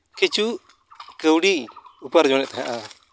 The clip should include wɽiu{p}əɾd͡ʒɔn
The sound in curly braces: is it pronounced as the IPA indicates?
yes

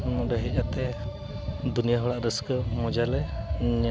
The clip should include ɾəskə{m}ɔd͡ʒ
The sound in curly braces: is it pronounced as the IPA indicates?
yes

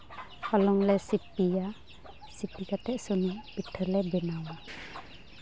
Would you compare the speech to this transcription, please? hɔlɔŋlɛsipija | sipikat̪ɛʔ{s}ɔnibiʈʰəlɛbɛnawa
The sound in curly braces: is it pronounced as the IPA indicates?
yes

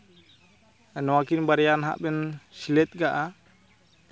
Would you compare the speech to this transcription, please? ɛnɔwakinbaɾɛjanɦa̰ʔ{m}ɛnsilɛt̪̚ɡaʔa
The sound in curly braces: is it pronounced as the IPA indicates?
no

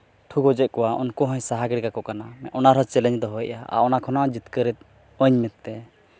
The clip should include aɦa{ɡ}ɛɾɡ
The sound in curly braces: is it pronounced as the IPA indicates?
yes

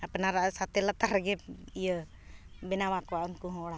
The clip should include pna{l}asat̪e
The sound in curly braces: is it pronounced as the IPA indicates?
no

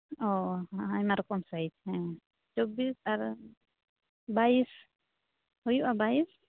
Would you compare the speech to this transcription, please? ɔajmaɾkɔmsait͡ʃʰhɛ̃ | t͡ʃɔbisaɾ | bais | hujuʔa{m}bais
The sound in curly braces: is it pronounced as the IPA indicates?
no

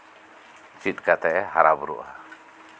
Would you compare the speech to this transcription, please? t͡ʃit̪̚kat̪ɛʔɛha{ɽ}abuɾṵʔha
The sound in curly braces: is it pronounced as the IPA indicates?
no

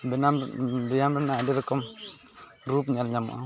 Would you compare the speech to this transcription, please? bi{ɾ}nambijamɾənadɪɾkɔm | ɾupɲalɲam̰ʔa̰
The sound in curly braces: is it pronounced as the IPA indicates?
no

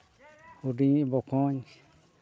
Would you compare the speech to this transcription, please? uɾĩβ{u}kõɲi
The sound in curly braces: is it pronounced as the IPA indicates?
no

